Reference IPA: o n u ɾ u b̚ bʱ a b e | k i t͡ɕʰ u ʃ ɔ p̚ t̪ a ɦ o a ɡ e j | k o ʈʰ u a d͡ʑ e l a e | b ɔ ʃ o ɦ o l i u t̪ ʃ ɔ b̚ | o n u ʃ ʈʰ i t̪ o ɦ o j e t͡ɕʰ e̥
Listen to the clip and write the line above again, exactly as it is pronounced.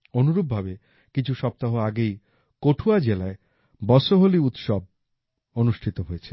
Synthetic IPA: o n u ɾ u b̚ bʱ a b e | k i t͡ɕʰ u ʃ ɔ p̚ t̪ a ɦ o a ɡ e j | k o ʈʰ u a d͡ʑ e l a e | b ɔ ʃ o ɦ o l i u t̪ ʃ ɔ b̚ | o n u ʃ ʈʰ i t̪ o ɦ o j e t͡ɕʰ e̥